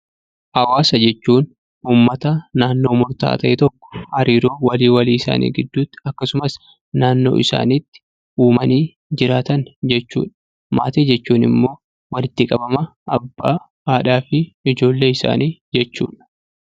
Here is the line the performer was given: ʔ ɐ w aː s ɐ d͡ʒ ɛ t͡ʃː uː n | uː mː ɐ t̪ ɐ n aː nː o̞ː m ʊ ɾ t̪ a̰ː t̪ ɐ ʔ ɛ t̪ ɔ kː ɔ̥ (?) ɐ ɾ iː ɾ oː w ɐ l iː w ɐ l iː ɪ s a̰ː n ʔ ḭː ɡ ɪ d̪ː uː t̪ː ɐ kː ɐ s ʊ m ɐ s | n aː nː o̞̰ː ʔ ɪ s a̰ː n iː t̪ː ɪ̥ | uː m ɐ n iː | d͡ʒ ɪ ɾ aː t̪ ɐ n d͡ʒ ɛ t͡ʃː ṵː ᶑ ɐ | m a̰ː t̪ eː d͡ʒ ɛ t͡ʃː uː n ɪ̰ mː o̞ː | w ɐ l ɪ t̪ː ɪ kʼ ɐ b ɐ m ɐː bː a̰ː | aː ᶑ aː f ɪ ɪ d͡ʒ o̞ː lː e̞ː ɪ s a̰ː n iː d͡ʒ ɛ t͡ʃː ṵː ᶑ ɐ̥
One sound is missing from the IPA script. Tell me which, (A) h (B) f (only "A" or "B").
A